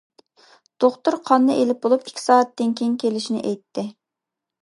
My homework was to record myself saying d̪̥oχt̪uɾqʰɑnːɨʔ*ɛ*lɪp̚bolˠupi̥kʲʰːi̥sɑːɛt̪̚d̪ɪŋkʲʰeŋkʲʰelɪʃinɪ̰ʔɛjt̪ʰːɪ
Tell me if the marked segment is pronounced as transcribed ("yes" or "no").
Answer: no